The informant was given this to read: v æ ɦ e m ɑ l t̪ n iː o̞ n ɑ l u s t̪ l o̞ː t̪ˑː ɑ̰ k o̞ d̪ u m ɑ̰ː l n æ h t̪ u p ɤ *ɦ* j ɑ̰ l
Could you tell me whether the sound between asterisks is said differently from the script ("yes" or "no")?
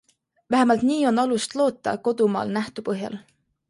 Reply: no